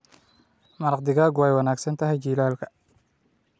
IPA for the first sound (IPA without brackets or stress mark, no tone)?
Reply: m